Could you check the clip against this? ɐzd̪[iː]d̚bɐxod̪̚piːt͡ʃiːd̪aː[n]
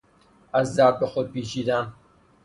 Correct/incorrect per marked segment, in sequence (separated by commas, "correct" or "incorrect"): incorrect, correct